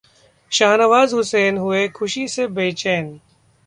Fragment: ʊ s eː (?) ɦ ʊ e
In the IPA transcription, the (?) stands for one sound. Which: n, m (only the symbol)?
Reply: n